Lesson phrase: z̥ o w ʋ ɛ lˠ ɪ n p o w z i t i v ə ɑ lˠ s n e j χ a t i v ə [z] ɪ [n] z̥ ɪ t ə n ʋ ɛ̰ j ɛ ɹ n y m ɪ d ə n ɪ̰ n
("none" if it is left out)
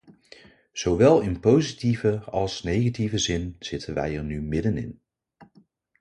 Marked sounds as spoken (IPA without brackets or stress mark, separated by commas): z, n